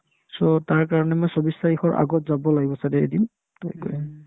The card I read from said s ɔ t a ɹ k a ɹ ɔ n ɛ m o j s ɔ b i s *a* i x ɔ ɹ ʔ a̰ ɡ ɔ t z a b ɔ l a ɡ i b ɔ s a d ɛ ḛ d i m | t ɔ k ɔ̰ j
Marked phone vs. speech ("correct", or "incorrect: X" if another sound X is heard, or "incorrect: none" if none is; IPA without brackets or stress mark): correct